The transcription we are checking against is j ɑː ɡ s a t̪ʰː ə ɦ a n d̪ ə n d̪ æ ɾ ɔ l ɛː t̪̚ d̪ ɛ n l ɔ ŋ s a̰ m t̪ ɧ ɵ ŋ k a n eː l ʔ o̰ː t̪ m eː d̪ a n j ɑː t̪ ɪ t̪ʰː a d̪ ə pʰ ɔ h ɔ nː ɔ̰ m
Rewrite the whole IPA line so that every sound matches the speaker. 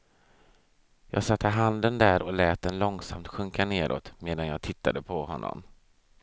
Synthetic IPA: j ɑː ɡ s a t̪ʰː ə ɦ a n d̪ ə n d̪ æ ɾ ɔ l ɛː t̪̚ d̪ ɛ n l ɔ ŋ s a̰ m t̪ ɧ ɵ ŋ k a n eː ɾ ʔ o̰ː t̪ m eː d̪ a n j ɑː t̪ʰ ɪ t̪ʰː a d̪ ə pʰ ɔ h ɔ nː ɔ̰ m